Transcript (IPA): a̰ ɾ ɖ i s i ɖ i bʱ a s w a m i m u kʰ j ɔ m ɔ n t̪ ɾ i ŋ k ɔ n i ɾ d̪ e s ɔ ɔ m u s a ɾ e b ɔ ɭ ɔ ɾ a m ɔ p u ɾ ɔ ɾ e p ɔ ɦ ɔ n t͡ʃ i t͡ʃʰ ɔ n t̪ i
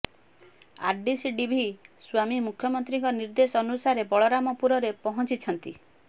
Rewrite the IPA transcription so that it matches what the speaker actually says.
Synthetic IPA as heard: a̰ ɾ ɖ i s i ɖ i bʱ i s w a m i m u kʰ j ɔ m ɔ n t̪ ɾ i ŋ k ɔ n i ɾ d̪ e s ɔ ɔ n u s a ɾ e b ɔ ɭ ɔ ɾ a m ɔ p u ɾ ɔ ɾ e p ɔ ɦ ɔ n t͡ʃ i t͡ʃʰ ɔ n t̪ i